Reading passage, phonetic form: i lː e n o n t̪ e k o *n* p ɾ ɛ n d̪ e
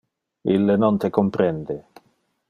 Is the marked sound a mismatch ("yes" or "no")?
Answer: yes